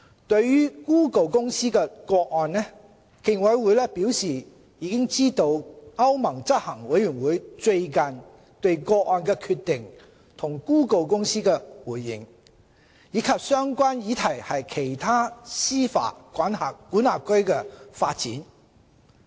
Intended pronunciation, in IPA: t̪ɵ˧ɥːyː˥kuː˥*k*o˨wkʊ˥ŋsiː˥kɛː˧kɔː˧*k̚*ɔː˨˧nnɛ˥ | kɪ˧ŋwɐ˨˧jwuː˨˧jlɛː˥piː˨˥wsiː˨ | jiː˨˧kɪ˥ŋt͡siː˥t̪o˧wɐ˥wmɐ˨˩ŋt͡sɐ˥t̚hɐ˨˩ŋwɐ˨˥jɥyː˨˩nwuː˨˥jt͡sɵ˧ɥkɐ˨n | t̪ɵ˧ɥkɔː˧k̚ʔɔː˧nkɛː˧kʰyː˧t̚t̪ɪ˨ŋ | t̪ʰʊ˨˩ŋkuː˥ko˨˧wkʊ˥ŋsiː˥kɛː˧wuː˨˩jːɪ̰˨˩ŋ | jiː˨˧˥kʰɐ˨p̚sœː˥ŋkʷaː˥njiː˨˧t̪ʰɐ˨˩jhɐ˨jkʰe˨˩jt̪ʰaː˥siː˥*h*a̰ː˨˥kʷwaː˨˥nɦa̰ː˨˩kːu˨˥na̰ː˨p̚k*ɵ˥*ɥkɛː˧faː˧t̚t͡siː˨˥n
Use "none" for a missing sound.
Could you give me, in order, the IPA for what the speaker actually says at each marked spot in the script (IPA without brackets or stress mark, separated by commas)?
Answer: k, k̚, f, ɵ˥